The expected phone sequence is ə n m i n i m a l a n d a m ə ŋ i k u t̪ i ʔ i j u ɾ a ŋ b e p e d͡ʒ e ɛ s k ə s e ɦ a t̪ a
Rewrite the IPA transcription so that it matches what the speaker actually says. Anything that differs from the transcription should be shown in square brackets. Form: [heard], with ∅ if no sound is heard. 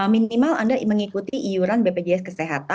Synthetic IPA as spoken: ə [∅] m i n i m a l a n d a m ə ŋ i k u t̪ i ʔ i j u ɾ a [n] b e p e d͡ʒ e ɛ s k ə s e ɦ a t̪ a